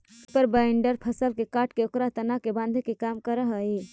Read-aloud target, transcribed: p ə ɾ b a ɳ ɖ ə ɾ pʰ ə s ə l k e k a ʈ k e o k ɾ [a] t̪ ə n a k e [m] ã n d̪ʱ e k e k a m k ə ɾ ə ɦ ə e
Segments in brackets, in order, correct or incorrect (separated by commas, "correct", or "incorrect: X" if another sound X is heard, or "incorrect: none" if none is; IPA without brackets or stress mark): correct, incorrect: b